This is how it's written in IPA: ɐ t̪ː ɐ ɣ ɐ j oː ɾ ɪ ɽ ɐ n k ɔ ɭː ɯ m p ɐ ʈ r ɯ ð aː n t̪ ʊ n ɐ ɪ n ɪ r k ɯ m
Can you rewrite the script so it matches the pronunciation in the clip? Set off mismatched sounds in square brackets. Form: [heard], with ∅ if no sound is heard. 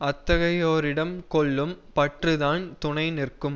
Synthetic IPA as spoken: ɐ t̪ː ɐ ɣ ɐ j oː ɾ ɪ ɽ ɐ [m] k ɔ ɭː ɯ m p ɐ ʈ r ɯ ð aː n t̪ ʊ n ɐ ɪ n ɪ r k ɯ m